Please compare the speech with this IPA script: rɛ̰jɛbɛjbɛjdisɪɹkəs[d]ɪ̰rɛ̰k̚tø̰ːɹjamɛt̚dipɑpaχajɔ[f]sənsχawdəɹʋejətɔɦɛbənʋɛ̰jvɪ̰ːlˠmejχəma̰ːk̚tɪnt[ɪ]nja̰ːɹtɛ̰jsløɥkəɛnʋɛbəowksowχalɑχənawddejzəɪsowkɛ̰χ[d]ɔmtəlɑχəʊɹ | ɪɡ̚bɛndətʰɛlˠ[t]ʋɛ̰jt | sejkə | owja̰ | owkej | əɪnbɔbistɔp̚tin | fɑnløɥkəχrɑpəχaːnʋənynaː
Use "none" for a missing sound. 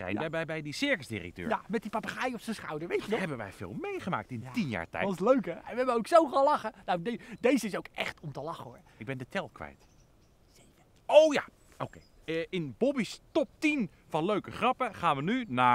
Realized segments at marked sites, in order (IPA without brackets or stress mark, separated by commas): d, f, i, t, k